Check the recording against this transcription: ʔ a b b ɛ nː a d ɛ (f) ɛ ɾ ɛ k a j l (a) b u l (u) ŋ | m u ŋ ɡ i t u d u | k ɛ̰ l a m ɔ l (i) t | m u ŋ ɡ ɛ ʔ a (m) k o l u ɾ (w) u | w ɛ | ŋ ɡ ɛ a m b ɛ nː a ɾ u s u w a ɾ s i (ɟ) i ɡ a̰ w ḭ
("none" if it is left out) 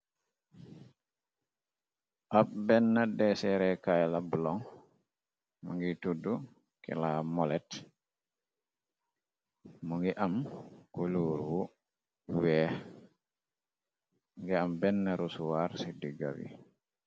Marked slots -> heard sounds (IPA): s, a, ɔ, ɛ, m, w, d

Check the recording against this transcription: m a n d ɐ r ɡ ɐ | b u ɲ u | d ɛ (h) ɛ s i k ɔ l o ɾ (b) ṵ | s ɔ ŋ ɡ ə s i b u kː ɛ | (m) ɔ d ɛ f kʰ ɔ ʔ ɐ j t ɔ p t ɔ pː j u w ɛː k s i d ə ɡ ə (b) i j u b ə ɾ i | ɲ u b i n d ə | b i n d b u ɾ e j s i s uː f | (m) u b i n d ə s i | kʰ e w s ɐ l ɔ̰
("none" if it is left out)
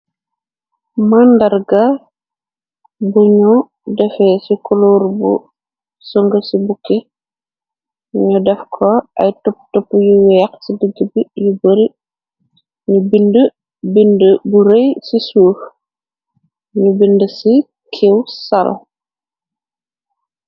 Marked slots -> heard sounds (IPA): f, b, ɲ, b, ɲ

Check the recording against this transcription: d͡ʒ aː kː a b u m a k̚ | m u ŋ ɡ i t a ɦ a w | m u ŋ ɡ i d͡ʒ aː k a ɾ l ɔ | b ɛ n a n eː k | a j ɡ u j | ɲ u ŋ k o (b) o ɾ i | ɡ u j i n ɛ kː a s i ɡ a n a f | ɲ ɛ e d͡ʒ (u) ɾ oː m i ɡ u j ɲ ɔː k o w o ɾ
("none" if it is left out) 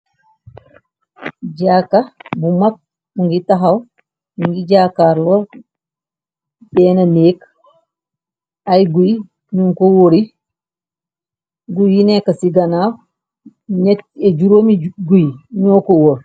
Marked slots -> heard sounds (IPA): w, u

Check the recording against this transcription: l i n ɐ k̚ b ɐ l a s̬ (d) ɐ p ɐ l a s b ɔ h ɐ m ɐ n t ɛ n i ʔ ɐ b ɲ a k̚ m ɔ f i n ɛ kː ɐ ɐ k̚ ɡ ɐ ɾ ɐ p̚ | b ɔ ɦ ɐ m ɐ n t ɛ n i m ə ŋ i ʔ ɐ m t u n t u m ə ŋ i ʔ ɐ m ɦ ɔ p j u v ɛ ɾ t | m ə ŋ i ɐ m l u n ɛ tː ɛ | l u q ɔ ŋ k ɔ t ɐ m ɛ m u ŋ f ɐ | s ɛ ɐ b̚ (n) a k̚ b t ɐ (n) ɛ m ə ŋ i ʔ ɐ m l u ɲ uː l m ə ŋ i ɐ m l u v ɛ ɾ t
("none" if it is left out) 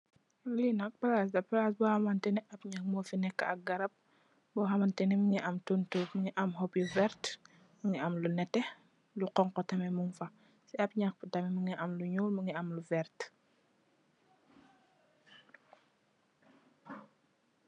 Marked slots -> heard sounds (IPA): d, ɲ, m

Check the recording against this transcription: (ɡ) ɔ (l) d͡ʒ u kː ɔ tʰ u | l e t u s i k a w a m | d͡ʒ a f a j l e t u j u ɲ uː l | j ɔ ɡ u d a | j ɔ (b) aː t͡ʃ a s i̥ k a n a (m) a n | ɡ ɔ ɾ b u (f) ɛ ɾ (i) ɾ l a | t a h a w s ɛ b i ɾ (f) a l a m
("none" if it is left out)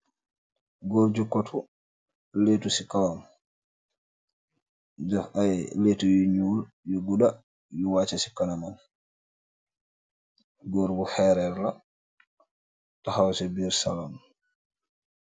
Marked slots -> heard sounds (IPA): ɡ, ɾ, w, m, h, ɛ, s

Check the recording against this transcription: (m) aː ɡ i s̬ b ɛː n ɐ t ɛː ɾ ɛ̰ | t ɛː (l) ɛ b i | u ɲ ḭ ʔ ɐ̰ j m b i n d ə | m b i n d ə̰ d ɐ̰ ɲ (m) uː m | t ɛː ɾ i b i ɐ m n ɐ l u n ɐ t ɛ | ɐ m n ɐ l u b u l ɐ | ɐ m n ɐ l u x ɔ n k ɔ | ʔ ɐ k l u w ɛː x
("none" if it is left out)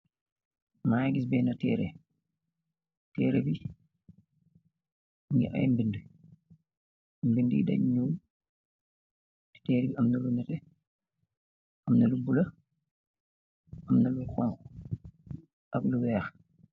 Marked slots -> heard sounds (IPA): m, ɾ, ɲ

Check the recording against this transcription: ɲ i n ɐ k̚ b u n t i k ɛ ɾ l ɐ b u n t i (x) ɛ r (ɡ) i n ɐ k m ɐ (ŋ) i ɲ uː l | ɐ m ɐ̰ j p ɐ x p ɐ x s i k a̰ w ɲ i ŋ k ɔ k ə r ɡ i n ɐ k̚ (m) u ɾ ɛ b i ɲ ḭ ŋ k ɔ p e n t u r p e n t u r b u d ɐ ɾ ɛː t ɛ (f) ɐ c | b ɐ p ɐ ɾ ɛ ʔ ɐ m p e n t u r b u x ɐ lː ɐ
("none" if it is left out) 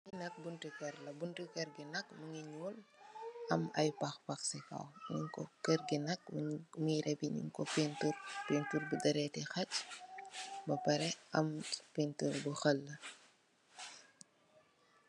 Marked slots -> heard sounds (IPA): k, ɡ, ŋ, m, x

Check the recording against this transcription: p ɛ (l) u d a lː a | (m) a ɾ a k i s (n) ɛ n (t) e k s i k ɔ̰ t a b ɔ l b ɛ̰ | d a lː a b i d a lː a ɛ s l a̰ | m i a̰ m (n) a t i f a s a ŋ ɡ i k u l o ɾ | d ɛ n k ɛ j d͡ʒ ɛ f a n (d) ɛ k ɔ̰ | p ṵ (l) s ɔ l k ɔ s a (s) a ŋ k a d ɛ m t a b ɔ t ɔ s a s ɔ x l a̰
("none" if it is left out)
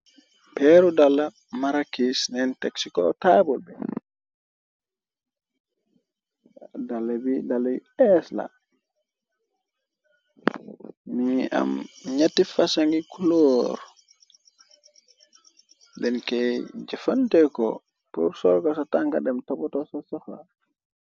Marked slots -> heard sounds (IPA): ɾ, m, n, t, ɲ, t, ɾ, t

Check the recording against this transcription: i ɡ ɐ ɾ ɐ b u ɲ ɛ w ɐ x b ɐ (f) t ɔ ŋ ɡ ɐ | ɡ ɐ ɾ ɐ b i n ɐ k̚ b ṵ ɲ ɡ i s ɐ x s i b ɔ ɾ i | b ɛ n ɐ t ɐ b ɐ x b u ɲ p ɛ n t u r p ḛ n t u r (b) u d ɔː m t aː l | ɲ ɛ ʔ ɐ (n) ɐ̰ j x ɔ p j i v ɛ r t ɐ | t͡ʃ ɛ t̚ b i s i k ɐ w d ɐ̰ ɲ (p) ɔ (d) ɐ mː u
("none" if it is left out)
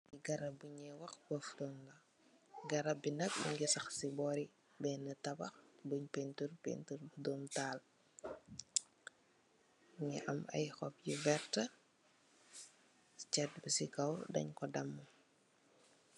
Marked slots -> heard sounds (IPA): f, b, m, k, d

